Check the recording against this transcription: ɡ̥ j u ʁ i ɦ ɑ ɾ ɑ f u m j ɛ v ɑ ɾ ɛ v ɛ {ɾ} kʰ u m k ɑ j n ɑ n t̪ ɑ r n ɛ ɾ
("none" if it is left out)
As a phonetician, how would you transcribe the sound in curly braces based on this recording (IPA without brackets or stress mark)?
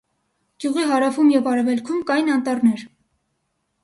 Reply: l